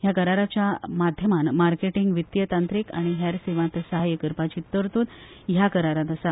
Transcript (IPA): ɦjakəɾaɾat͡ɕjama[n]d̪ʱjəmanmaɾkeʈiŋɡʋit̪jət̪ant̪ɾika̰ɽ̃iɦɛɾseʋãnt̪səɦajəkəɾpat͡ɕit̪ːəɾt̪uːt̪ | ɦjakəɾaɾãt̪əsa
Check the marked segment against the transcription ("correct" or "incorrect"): incorrect